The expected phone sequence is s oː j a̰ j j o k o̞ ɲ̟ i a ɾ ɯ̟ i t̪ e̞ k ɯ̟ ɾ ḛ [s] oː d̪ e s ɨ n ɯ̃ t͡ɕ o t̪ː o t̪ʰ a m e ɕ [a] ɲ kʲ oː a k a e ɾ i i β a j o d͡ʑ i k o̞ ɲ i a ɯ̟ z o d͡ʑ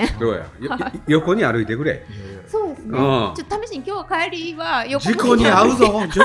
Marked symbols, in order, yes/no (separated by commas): yes, no